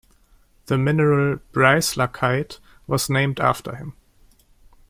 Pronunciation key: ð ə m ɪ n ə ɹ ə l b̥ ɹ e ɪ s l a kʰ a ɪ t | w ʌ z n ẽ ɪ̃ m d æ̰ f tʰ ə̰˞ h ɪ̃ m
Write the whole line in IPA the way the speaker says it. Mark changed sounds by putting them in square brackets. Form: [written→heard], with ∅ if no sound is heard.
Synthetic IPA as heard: ð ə m ɪ n ə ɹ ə l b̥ ɹ [e→a] ɪ s l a kʰ a ɪ t | w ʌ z n ẽ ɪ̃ m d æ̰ f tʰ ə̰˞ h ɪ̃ m